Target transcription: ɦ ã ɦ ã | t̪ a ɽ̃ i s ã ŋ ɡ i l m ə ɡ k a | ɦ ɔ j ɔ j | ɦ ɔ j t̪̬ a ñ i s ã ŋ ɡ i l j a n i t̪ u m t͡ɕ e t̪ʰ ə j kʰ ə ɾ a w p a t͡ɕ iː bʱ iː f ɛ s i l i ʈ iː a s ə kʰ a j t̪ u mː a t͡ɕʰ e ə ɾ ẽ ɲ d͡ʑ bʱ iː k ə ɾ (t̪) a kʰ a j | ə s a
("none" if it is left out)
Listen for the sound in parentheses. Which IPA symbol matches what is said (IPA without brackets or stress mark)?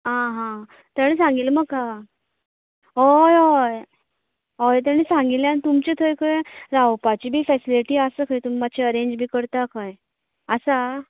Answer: t̪